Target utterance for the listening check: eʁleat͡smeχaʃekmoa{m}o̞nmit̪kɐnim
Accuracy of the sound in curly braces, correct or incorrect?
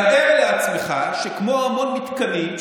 correct